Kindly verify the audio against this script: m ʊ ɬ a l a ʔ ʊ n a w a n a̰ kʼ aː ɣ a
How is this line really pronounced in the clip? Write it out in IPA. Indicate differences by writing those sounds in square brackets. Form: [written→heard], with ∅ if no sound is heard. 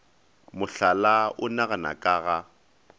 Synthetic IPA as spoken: m ʊ ɬ a l a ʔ ʊ n a [w→ɣ] a n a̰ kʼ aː ɣ a